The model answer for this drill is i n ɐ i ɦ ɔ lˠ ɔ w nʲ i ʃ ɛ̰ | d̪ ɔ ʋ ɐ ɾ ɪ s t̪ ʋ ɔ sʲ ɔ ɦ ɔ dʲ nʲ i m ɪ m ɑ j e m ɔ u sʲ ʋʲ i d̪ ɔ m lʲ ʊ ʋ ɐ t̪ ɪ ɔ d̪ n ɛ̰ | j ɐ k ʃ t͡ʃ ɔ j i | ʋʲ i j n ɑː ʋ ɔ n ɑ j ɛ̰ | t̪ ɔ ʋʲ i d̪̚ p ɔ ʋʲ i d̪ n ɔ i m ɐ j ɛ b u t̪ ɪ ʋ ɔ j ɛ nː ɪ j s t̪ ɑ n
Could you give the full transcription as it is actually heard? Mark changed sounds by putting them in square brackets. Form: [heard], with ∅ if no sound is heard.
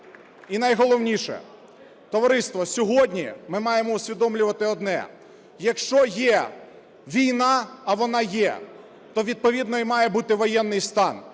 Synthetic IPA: i n ɐ [j] ɦ ɔ lˠ ɔ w nʲ i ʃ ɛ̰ | [t̪] ɔ ʋ ɐ ɾ ɪ s t̪ ʋ ɔ sʲ ɔ ɦ ɔ dʲ nʲ i m ɪ m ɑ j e m ɔ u sʲ ʋʲ i d̪ ɔ m lʲ ʊ ʋ ɐ t̪ ɪ ɔ d̪ n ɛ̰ | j ɐ k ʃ t͡ʃ ɔ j [ɛ] | ʋʲ i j n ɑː ʋ ɔ n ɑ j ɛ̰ | t̪ ɔ ʋʲ i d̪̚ p ɔ ʋʲ i d̪ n ɔ i m [ɑ] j ɛ b u t̪ ɪ ʋ ɔ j ɛ nː ɪ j s t̪ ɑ n